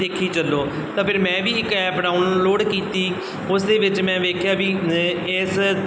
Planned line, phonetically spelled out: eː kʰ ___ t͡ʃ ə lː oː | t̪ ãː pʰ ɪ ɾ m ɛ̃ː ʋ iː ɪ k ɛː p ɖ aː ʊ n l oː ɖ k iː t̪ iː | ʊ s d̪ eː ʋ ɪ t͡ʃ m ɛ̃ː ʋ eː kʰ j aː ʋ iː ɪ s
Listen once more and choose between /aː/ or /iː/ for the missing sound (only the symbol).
iː